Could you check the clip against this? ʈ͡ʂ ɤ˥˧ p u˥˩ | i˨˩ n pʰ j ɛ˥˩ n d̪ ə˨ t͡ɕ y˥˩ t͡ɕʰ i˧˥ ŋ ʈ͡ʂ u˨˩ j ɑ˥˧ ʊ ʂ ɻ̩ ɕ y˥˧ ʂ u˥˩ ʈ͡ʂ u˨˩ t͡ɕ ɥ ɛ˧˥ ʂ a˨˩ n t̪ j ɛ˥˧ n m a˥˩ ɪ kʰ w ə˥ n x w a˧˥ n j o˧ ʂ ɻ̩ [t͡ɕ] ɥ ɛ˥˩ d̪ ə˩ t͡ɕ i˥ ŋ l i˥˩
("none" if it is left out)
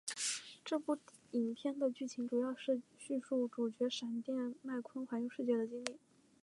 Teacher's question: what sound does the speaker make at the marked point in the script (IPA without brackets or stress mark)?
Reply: t͡ɕ